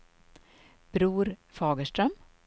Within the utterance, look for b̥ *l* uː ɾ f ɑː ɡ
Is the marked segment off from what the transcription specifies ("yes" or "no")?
yes